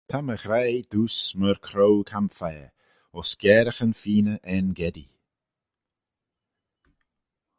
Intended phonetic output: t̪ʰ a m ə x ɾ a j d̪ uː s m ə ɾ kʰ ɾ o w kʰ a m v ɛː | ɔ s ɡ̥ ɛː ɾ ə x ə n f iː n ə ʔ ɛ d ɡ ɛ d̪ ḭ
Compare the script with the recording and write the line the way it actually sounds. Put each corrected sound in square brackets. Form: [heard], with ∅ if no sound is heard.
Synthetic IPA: t̪ʰ a m ə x ɾ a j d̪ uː s m ə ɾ kʰ ɾ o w kʰ a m [f] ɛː | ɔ s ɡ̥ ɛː ɾ ə x ə n f iː n ə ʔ ɛ [n] ɡ ɛ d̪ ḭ